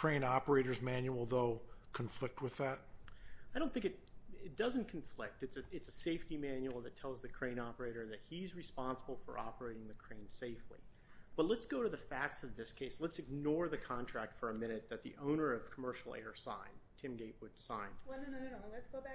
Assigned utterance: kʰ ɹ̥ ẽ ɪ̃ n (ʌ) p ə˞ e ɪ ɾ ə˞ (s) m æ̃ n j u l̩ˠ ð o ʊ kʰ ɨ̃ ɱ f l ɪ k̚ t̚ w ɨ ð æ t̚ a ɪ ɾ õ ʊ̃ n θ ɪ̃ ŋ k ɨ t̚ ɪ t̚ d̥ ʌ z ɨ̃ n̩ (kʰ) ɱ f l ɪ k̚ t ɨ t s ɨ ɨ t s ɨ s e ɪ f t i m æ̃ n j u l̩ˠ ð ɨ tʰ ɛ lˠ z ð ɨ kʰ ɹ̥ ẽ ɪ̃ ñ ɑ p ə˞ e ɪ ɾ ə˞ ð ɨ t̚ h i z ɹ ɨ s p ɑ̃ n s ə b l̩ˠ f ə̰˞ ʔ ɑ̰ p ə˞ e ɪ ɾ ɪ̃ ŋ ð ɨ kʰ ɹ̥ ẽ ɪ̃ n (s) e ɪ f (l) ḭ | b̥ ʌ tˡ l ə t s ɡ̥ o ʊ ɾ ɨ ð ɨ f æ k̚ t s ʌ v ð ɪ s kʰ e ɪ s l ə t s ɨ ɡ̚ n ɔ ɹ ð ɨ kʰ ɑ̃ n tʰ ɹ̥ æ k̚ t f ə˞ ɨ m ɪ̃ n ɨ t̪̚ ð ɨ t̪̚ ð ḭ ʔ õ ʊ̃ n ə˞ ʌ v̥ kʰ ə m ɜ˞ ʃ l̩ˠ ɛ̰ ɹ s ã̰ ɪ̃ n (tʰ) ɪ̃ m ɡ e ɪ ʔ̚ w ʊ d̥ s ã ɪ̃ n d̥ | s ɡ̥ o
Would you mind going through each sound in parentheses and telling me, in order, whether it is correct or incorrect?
incorrect: ɑ, incorrect: z, correct, correct, correct, correct

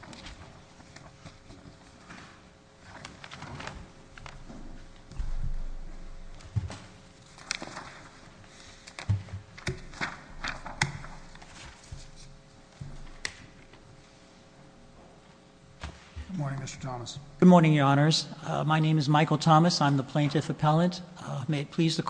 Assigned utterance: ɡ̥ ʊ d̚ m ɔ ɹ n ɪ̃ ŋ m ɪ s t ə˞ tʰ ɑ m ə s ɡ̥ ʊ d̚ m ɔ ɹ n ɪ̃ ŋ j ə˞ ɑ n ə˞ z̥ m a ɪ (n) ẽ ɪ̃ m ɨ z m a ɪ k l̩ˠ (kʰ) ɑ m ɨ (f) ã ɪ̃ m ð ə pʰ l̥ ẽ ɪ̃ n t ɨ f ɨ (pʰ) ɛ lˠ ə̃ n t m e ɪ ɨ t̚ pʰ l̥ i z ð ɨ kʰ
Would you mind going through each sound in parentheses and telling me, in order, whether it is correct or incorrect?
correct, incorrect: tʰ, incorrect: s, correct

